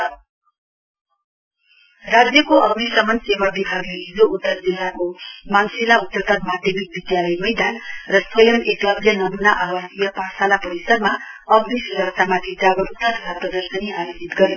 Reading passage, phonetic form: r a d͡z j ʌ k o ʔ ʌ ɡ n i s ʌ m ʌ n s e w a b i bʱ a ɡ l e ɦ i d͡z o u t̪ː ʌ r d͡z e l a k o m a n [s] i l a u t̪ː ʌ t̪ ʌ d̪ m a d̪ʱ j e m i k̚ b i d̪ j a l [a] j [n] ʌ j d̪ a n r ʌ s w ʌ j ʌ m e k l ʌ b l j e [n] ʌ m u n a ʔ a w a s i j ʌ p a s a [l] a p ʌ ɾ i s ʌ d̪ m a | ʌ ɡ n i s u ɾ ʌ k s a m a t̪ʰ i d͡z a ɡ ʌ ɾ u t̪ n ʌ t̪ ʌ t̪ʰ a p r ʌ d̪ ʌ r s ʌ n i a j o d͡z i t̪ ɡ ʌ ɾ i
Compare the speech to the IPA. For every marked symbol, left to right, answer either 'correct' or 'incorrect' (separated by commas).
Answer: correct, incorrect, incorrect, correct, correct